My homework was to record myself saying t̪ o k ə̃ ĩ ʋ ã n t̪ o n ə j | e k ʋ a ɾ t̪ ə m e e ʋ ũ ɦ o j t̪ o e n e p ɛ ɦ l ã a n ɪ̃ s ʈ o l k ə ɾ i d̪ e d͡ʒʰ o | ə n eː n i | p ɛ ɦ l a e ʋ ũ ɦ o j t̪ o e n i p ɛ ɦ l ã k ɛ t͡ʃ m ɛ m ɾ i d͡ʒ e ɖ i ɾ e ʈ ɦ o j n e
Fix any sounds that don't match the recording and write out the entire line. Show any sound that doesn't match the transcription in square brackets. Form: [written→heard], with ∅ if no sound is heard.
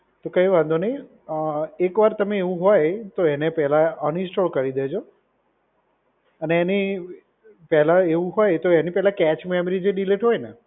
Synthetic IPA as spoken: t̪ o k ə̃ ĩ ʋ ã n [t̪→d̪] o n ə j | e k ʋ a ɾ t̪ ə m e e ʋ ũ ɦ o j t̪ o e n e p ɛ ɦ l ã [a→ə] n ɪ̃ s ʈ o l k ə ɾ i d̪ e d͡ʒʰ o | ə n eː n i | p ɛ ɦ l a e ʋ ũ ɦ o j t̪ o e n i p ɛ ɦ l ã k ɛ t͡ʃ m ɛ m ɾ i d͡ʒ e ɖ i [ɾ→l] e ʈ ɦ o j n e